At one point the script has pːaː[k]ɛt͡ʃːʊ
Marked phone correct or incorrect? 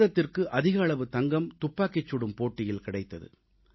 correct